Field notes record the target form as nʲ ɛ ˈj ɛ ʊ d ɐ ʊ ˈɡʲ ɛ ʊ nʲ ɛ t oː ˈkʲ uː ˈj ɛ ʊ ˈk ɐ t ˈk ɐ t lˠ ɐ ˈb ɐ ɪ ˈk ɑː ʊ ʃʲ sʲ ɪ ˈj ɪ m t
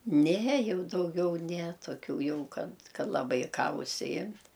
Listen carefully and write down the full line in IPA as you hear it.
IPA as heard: nʲ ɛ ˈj ɛ ʊ d ɐ ʊ ˈɡʲ ɛ ʊ nʲ ɛ t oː ˈkʲ uː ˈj ɛ ʊ ˈk ɐ t ˈk ɐ t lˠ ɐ ˈb ɐ ɪ ˈk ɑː ʊ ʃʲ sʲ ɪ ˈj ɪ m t